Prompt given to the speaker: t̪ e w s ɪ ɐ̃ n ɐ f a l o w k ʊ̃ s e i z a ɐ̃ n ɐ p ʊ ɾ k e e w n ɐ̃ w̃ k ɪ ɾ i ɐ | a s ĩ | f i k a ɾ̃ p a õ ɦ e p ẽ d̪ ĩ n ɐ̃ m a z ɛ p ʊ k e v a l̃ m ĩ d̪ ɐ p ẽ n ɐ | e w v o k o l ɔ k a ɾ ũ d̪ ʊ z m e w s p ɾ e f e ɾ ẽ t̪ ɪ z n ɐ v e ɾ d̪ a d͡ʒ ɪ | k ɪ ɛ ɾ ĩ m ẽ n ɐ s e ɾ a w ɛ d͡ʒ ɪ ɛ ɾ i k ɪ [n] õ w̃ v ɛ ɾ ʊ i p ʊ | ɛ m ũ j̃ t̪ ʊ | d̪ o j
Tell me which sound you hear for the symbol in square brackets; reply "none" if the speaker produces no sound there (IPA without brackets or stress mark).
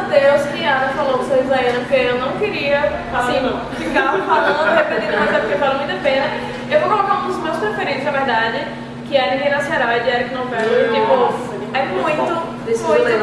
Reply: n